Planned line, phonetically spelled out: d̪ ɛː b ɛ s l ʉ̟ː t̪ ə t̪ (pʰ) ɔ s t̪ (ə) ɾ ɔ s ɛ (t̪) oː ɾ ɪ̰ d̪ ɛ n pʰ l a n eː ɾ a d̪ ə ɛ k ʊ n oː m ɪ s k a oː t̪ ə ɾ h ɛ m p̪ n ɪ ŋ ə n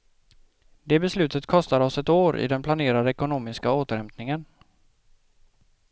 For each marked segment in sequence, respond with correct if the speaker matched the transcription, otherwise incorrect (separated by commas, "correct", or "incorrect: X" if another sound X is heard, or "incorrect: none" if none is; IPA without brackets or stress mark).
incorrect: kʰ, incorrect: a, correct